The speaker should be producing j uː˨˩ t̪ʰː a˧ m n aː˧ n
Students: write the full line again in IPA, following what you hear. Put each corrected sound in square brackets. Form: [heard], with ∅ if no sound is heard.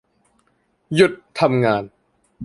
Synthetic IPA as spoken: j [u˨˩] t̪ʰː a˧ m [ŋ] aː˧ n